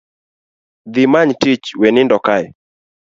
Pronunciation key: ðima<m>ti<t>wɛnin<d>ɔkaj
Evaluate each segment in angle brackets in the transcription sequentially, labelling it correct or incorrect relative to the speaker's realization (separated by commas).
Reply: incorrect, incorrect, correct